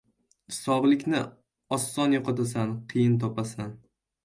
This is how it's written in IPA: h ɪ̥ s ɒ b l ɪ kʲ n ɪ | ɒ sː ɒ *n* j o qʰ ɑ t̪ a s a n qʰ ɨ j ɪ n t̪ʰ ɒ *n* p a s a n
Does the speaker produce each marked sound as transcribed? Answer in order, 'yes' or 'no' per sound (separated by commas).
yes, no